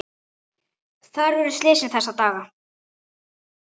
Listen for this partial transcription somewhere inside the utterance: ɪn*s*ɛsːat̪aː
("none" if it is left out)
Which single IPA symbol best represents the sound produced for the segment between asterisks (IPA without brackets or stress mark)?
θ